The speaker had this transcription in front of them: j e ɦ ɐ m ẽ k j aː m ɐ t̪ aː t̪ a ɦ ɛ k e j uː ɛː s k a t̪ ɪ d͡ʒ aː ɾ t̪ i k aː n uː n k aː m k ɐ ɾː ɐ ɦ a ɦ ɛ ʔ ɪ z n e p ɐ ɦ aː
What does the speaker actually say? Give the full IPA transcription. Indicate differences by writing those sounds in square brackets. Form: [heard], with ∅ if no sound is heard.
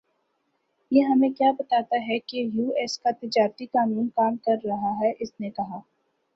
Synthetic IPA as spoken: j e ɦ ɐ m ẽ k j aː [b] ɐ t̪ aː t̪ a ɦ ɛ k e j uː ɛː s k a t̪ ɪ d͡ʒ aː ɾ t̪ i k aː n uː n k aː m k ɐ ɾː ɐ ɦ a ɦ ɛ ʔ ɪ [s] n e [k] ɐ ɦ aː